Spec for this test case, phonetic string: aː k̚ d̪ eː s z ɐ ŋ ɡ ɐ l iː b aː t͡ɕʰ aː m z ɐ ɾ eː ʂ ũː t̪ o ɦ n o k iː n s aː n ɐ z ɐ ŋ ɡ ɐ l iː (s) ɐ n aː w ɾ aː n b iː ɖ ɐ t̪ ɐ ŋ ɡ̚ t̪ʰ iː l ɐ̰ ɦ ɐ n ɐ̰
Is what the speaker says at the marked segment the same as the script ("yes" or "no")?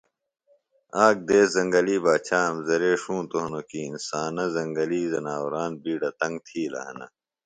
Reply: no